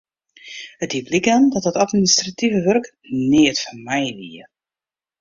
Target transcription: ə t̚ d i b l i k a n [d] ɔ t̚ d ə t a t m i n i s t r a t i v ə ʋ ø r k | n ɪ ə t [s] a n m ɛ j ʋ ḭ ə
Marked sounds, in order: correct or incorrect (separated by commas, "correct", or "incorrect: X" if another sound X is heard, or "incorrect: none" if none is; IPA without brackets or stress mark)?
correct, incorrect: f